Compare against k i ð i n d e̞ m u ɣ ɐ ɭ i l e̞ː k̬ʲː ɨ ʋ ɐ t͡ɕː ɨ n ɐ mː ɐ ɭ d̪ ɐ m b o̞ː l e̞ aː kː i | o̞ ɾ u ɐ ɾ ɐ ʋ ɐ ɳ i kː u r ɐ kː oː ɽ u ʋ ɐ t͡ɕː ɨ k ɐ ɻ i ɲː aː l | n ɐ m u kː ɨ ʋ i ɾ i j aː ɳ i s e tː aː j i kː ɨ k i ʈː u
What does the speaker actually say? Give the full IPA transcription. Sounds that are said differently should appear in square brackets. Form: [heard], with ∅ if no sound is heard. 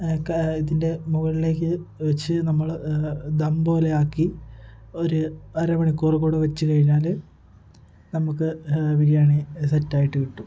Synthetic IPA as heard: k i ð i n d e̞ m u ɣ ɐ ɭ i l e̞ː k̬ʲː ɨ ʋ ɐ t͡ɕː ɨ n ɐ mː ɐ ɭ d̪ ɐ m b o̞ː l e̞ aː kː i | o̞ ɾ u ɐ ɾ ɐ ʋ ɐ ɳ i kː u r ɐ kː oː ɽ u ʋ ɐ t͡ɕː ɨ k ɐ ɻ i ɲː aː l | n ɐ m u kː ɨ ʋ i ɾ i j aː ɳ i s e tː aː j i [ʈː] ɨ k i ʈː u